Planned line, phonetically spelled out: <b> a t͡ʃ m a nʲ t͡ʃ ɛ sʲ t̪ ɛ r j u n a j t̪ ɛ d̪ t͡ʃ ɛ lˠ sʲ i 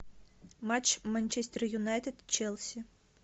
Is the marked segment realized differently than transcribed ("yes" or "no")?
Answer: yes